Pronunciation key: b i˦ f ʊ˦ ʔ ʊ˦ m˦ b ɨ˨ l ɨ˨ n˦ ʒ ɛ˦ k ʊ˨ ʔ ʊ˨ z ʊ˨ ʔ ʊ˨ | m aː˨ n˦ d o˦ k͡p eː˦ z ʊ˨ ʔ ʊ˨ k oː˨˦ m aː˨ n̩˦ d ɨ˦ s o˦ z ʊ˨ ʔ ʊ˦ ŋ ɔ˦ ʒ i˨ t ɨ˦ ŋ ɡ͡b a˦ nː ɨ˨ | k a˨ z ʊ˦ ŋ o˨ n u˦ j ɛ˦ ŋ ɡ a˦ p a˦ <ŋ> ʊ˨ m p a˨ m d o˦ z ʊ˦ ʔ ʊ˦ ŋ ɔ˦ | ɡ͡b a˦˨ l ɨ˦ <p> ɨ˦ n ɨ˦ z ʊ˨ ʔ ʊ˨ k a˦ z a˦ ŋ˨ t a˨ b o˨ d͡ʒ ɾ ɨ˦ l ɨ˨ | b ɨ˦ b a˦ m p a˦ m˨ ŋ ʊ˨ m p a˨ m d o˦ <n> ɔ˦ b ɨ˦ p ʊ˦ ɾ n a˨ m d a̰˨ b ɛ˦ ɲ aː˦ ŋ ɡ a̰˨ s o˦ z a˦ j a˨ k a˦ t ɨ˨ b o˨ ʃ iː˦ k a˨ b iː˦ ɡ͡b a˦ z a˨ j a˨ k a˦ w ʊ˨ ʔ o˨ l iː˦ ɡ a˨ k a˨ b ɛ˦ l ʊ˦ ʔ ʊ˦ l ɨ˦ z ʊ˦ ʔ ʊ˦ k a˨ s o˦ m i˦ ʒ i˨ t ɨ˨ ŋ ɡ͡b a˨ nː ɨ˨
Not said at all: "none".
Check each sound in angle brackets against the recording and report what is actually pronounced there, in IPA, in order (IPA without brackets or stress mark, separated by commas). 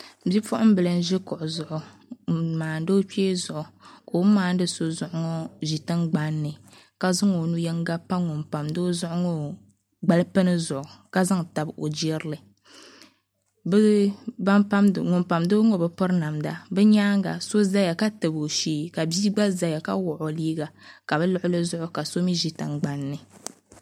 ŋ, p, ŋ